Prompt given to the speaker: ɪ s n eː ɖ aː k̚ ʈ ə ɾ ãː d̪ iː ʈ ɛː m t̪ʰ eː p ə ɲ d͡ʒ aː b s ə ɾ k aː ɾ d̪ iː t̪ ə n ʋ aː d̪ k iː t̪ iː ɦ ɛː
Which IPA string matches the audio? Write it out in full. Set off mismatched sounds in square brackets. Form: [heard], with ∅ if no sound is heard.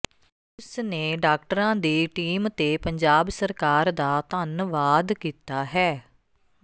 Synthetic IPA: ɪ s n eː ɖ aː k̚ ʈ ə ɾ ãː d̪ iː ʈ [iː] m [t̪] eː p ə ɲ d͡ʒ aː b s ə ɾ k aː ɾ d̪ [aː] t̪ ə n ʋ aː d̪ k iː t̪ [aː] ɦ ɛː